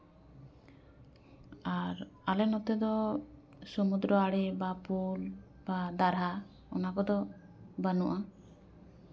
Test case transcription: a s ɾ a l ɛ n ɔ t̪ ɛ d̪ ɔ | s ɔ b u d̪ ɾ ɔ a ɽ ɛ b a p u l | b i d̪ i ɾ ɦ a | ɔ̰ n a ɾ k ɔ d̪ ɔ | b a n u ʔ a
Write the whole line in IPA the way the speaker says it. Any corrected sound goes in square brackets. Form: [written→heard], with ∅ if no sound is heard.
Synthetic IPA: a [s→∅] ɾ a l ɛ n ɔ t̪ ɛ d̪ ɔ | s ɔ [b→m] u d̪ ɾ ɔ a ɽ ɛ b a p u l | b [i→a] d̪ [i→a] ɾ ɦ a | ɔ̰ n a [ɾ→∅] k ɔ d̪ ɔ | b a n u ʔ a